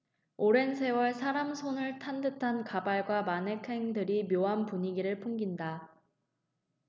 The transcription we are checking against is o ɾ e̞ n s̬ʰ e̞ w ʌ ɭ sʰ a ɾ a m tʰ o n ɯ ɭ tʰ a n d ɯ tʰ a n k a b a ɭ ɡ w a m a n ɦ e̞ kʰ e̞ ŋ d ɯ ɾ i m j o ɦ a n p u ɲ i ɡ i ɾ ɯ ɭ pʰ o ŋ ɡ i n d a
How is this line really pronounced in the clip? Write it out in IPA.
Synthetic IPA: o ɾ e̞ n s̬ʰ e̞ w ʌ ɭ sʰ a ɾ a m sʰ o n ɯ ɭ tʰ a n d ɯ tʰ a n k a b a ɭ ɡ w a m a n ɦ e̞ kʰ e̞ ŋ d ɯ ɾ i m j o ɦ a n p u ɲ i ɡ i ɾ ɯ ɭ pʰ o ŋ ɡ i n d a

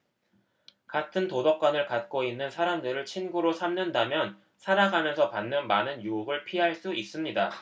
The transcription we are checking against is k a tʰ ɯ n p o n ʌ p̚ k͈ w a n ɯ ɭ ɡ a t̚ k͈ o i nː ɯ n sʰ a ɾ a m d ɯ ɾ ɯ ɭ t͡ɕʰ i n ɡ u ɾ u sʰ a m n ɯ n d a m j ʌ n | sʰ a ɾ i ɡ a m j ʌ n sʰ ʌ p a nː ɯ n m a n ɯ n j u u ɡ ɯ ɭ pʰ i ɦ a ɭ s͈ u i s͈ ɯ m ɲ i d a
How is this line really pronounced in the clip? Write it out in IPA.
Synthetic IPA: k a tʰ ɯ n t o d ʌ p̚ k͈ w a n ɯ ɭ k a t̚ k͈ o i nː ɯ n sʰ a ɾ a m d ɯ ɾ ɯ ɭ t͡ɕʰ i n ɡ u ɾ o sʰ a m n ɯ n d a m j ʌ n | sʰ a ɾ a ɡ a m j ʌ n sʰ ʌ p a nː ɯ n m a n ɯ n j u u ɡ ɯ ɭ pʰ i ɦ a ɭ s͈ u i s͈ ɯ m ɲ i d a

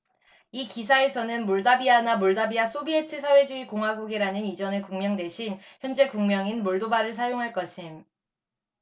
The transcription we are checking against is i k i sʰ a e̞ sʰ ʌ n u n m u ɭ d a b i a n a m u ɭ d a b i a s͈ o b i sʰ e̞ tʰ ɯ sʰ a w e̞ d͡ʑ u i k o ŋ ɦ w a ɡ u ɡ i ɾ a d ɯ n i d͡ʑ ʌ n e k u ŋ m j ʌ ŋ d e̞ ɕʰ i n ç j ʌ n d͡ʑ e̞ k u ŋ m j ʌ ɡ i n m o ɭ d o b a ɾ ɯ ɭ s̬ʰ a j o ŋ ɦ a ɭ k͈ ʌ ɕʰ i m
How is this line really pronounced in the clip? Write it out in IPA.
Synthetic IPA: i k i sʰ a e̞ sʰ ʌ n ɯ n m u ɭ d a b i a n a m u ɭ d a b i a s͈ o b i e̞ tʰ ɯ sʰ a w e̞ d͡ʑ u i k o ŋ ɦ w a ɡ u ɡ i ɾ a n ɯ n i d͡ʑ ʌ n e k u ŋ m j ʌ ŋ d e̞ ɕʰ i n ç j ʌ n d͡ʑ e̞ k u ŋ m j ʌ ŋ i n m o ɭ d o b a ɾ ɯ ɭ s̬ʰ a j o ŋ ɦ a ɭ k͈ ʌ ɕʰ i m

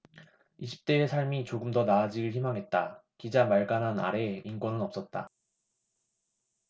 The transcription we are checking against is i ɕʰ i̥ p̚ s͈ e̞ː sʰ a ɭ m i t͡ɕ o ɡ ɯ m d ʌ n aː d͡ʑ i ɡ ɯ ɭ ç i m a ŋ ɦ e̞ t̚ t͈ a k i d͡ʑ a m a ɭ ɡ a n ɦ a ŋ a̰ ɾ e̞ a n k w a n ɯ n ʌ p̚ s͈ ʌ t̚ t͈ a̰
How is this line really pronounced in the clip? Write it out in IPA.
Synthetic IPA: i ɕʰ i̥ p̚ t͈ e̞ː sʰ a ɭ m i t͡ɕ o ɡ ɯ m d ʌ n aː d͡ʑ i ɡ ɯ ɭ ç i m a ŋ ɦ e̞ t̚ t͈ a k i d͡ʑ a m a ɭ ɡ a n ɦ a n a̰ ɾ e̞ i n k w ʌ n ɯ n ʌ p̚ s͈ ʌ t̚ t͈ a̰

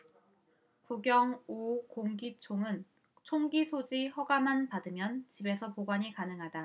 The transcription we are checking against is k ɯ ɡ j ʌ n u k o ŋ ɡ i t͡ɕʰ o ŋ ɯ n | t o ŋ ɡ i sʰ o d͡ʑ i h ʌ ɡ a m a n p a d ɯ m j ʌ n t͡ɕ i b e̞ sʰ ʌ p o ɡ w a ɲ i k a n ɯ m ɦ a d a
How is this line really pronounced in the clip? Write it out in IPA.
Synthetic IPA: k u ɡ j ʌ ŋ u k o ŋ ɡ i t͡ɕʰ o ŋ ɯ n | t͡ɕʰ o ŋ ɡ i sʰ o d͡ʑ i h ʌ ɡ a m a n p a d ɯ m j ʌ n t͡ɕ i b e̞ sʰ ʌ p o ɡ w a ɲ i k a n ɯ ŋ ɦ a d a

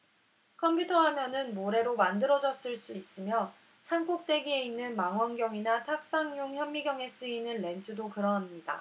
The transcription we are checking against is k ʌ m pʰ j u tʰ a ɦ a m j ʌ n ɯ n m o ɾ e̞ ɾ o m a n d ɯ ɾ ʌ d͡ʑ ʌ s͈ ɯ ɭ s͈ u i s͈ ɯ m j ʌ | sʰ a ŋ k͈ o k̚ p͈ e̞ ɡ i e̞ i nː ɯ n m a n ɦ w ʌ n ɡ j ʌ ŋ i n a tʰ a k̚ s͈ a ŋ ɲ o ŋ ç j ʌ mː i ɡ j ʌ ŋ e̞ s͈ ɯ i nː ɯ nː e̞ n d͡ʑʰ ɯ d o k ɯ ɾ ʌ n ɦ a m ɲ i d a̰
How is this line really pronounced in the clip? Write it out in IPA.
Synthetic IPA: kʰ ʌ m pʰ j u tʰ ʌ ɦ a m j ʌ n ɯ n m o ɾ e̞ ɾ o m a n d ɯ ɾ ʌ d͡ʑ ʌ s͈ ɯ ɭ s͈ u i s͈ ɯ m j ʌ | sʰ a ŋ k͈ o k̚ t͈ e̞ ɡ i e̞ i nː ɯ n m a ŋ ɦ w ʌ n ɡ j ʌ ŋ i n a tʰ a k̚ s͈ a ŋ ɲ o ŋ ç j ʌ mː i ɡ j ʌ ŋ e̞ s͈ ɯ i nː ɯ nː e̞ n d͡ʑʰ ɯ d o k ɯ ɾ ʌ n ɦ a m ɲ i d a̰

